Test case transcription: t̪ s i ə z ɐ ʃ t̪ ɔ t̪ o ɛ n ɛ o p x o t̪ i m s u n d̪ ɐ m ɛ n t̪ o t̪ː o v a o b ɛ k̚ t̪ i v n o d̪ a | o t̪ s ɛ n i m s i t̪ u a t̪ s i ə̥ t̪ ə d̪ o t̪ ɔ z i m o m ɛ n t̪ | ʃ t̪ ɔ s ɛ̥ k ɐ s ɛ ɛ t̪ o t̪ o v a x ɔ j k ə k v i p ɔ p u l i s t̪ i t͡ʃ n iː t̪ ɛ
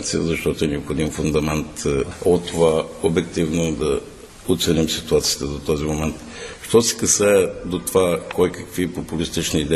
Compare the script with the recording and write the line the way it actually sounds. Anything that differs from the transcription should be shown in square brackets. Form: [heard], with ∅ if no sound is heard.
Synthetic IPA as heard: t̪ s i ə z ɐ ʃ t̪ ɔ t̪ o ɛ n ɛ o p x o [d̪] i m [f] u n d̪ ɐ m ɛ n t̪ o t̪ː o v a o b ɛ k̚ t̪ i v n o d̪ [ɐ] | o t̪ s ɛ n i m s i t̪ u a t̪ s i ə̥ t̪ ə d̪ o t̪ ɔ z i m o m ɛ n t̪ | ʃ t̪ ɔ s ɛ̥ k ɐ s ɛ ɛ [d̪] o t̪ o v a [k] ɔ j k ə k v i p [o] p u l i s t̪ i t͡ʃ n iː [d̪] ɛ